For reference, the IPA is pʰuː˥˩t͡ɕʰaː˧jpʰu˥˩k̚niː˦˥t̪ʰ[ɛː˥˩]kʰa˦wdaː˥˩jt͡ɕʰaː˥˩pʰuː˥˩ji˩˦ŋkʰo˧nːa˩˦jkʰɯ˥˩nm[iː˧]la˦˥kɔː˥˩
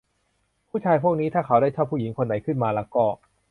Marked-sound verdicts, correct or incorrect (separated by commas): incorrect, incorrect